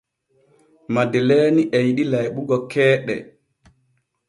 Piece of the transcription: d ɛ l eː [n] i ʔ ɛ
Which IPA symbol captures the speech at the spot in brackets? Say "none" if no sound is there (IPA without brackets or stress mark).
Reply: n